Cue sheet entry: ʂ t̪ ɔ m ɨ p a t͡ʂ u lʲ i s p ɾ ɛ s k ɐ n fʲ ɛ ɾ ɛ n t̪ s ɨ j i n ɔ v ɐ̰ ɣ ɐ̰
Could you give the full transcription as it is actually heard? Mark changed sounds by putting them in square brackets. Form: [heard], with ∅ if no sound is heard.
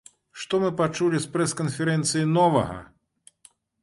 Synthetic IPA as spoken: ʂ t̪ ɔ m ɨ p a t͡ʂ u lʲ i s p ɾ ɛ s k ɐ n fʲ ɛ ɾ ɛ n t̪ s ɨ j i n ɔ v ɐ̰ ɣ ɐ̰